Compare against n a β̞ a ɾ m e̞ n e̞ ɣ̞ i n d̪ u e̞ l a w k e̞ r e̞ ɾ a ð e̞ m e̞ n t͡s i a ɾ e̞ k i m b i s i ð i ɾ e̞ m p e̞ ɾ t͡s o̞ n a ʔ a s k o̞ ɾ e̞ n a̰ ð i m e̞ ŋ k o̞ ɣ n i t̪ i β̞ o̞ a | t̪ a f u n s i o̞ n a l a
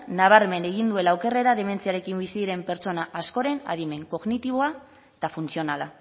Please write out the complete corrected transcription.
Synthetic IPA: n a β̞ a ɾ m e̞ n e̞ ɣ̞ i n d̪ u e̞ l a w k e̞ r e̞ ɾ a ð e̞ m e̞ n t͡s i a ɾ e̞ k i m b i s i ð i ɾ e̞ m p e̞ ɾ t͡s o̞ n a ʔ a s k o̞ ɾ e̞ n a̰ ð i m e̞ ŋ k o̞ ɣ n i t̪ i β̞ o̞ a | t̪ a f u n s i o̞ n a l a